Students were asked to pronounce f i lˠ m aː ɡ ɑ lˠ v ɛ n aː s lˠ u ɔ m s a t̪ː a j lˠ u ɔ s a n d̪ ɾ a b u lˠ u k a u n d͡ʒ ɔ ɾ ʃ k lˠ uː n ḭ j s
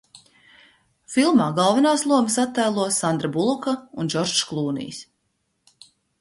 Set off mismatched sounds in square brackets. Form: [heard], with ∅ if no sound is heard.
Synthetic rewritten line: f i lˠ m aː ɡ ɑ lˠ v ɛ n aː s lˠ u ɔ m s a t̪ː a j lˠ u ɔ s a n d̪ ɾ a b u lˠ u k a u n d͡ʒ ɔ ɾ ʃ k lˠ uː n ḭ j s